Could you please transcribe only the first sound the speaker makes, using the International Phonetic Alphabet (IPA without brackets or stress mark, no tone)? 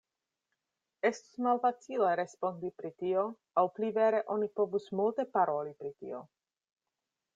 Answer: e̞